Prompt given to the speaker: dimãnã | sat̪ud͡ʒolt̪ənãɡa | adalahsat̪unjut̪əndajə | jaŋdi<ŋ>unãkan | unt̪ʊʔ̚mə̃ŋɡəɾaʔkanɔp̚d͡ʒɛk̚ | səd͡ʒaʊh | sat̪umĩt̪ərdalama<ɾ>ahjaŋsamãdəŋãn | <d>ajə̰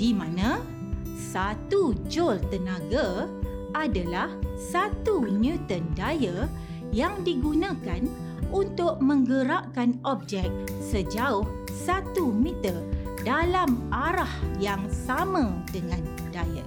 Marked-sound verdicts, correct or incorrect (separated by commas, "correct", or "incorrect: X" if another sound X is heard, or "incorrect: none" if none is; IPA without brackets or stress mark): incorrect: ɡ, correct, correct